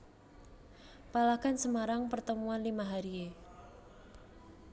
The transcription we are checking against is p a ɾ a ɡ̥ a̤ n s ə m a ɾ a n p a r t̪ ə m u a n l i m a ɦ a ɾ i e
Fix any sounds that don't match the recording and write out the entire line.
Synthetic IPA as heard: p a l a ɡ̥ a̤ n s ə m a ɾ a ŋ p ə r t̪ ə m u a n l i m a ɦ a ɾ i e